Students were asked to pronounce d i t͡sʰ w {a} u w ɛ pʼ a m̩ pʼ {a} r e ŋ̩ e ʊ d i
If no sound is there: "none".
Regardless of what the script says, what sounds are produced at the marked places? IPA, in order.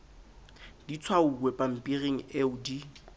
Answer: a, i

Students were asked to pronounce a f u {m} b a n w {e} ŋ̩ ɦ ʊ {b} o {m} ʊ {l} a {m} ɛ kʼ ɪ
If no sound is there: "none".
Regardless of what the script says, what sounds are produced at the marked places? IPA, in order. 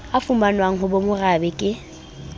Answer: m, a, b, m, r, b

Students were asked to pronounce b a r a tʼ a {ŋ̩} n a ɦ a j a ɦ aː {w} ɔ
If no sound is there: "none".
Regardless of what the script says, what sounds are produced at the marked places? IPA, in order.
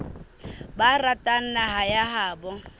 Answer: n̩, b

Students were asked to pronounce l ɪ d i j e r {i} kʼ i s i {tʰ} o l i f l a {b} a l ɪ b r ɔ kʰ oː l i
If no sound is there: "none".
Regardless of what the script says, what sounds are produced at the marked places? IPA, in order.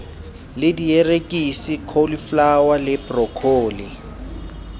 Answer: e, kʰ, w

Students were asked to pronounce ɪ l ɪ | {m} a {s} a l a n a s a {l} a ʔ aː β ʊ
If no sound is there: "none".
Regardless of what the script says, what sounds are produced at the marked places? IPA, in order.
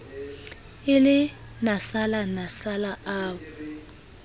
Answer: n, s, l

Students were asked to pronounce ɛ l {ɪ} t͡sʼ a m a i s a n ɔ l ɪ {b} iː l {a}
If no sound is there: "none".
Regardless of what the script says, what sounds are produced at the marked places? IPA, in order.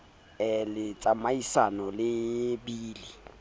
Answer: ɪ, b, i

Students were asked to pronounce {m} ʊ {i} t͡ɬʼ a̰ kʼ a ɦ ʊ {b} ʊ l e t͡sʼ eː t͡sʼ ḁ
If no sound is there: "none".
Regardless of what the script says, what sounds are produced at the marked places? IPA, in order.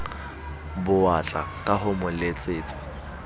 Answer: b, a, m

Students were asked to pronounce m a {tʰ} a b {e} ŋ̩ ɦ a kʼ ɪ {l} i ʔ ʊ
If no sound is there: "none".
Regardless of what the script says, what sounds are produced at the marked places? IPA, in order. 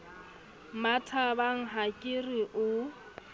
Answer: tʰ, a, r

